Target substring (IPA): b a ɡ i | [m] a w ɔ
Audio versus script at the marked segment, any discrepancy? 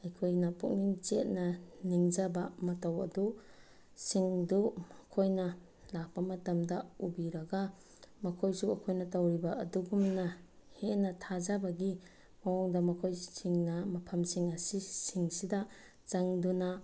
no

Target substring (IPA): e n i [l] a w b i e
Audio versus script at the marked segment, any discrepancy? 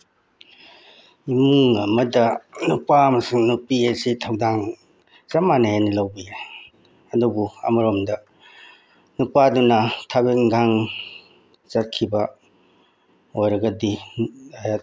no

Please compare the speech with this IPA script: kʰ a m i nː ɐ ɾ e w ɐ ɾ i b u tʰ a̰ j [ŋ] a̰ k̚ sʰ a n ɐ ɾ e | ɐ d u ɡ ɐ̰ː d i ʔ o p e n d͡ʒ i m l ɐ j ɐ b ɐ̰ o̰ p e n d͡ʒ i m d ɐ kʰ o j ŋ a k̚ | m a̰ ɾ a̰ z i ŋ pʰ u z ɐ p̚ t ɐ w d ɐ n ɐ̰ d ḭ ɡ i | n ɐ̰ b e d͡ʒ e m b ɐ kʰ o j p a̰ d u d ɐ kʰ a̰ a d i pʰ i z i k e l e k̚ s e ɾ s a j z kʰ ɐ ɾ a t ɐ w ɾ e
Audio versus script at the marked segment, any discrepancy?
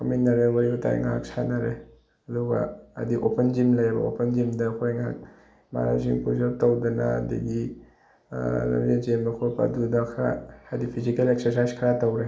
no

